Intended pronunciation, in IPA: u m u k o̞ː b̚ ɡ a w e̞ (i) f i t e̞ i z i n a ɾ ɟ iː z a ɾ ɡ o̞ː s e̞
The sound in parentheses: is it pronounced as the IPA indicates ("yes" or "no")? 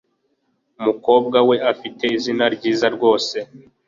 no